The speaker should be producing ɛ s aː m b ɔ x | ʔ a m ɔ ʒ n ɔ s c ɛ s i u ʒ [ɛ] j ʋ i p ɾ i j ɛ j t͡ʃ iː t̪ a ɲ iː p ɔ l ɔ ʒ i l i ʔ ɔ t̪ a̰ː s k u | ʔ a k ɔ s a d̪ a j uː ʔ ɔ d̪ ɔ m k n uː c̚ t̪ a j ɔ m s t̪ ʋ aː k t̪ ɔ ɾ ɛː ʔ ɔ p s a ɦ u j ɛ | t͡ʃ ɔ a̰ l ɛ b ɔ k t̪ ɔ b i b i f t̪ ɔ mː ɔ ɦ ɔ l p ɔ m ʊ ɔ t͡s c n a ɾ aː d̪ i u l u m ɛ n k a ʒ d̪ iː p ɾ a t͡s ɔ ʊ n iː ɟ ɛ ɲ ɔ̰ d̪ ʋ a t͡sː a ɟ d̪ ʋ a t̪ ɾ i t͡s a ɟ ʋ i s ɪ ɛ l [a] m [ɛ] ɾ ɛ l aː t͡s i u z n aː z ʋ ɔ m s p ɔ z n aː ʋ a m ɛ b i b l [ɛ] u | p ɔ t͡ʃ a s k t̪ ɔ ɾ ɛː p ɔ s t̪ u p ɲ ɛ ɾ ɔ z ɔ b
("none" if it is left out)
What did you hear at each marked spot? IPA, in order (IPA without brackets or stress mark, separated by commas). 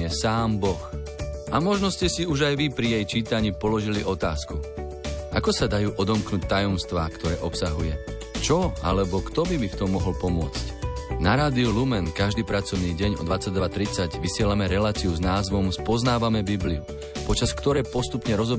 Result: a, a, ɛ, i